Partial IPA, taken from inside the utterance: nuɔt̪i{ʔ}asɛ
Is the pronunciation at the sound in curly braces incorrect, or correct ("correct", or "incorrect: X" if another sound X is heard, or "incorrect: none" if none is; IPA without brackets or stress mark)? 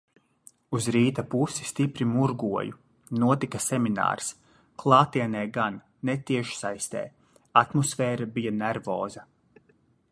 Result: incorrect: k